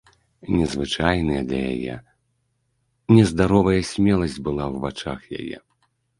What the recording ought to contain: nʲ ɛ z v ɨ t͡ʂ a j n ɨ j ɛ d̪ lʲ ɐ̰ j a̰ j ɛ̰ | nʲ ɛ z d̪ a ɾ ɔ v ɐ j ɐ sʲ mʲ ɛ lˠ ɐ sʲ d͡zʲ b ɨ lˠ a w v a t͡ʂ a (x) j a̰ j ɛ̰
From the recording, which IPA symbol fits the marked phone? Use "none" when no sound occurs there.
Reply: x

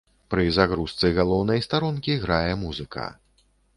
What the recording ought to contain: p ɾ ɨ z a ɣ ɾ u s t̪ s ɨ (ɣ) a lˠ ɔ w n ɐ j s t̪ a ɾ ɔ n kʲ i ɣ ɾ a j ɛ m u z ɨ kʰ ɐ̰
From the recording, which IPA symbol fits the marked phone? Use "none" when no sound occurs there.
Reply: ɣ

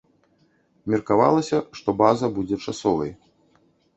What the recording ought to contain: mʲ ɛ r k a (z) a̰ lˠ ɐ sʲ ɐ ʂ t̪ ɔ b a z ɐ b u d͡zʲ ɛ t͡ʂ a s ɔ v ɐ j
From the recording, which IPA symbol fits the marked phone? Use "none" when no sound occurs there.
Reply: v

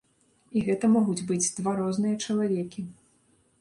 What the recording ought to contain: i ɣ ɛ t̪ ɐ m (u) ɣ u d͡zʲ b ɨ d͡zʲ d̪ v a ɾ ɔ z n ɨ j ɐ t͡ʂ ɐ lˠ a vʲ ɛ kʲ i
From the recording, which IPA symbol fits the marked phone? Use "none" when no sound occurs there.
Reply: ɔ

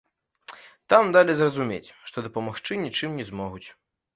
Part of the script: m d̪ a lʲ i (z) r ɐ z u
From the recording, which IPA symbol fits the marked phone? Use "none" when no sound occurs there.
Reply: z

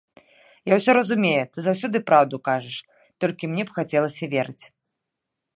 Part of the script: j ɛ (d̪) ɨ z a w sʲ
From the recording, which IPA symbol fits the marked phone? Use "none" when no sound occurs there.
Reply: t̪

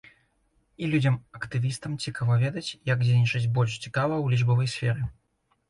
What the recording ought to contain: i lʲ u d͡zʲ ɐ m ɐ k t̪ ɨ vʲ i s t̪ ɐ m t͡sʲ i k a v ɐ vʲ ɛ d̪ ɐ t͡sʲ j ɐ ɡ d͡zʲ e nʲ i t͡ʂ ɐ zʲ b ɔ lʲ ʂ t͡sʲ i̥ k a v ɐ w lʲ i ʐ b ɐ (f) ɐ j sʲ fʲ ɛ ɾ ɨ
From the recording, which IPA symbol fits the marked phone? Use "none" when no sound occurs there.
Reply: v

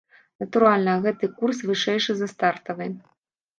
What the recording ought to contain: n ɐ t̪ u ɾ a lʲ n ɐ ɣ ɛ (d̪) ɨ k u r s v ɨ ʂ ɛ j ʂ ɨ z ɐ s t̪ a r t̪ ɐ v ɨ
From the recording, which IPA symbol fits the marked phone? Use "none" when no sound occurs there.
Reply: t̪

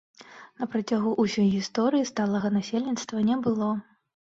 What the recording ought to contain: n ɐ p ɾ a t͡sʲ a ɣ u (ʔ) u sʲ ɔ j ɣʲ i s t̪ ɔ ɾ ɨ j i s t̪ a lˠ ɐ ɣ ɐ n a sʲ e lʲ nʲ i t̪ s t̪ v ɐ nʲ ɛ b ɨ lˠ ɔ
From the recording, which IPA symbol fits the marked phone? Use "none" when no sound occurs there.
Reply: ʔ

